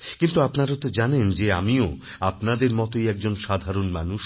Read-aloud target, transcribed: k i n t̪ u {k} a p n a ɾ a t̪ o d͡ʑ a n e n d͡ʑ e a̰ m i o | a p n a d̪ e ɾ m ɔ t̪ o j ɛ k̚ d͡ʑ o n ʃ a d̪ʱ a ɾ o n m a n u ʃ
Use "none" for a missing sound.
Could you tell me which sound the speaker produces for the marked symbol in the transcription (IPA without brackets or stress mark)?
none